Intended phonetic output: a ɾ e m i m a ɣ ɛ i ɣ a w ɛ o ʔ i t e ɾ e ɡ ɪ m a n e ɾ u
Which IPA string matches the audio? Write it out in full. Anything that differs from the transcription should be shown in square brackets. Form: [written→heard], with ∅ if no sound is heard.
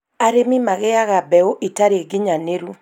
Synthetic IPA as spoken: a ɾ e m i m a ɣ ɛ [i→a] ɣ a [w→b] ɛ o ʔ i t [e→a] ɾ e ɡ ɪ [m→ɲ] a n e ɾ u